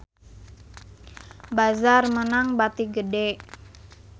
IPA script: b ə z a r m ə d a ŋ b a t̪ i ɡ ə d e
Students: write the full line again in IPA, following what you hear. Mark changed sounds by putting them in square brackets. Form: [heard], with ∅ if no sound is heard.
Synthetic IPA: b [a] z a r m ə [n] a ŋ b a t̪ i ɡ ə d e